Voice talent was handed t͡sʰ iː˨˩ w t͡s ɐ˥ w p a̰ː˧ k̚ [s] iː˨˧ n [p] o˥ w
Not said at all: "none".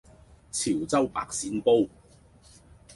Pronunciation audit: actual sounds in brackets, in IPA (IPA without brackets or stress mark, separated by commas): s, p